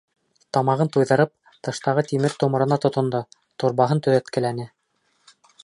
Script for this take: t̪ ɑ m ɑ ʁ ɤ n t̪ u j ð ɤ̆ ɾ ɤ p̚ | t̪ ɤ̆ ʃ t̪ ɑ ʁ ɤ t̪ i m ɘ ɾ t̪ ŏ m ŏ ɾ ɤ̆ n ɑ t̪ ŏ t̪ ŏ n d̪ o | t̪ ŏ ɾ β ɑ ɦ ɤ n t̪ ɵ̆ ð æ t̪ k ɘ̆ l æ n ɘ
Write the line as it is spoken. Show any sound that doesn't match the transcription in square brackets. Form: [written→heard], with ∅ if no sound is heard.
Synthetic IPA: t̪ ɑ m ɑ ʁ ɤ n t̪ u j ð ɤ̆ ɾ ɤ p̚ | t̪ ɤ̆ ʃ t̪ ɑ ʁ ɤ t̪ i m ɘ ɾ t̪ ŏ m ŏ ɾ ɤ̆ n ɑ t̪ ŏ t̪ ŏ n d̪ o | t̪ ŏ ɾ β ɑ ɦ ɤ n t̪ ɵ̆ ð æ t̪ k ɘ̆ l æ n ɘ